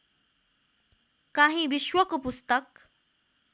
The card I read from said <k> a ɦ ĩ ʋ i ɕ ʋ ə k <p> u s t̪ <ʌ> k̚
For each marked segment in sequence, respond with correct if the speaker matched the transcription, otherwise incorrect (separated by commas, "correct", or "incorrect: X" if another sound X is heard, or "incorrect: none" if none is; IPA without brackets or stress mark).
correct, correct, incorrect: ə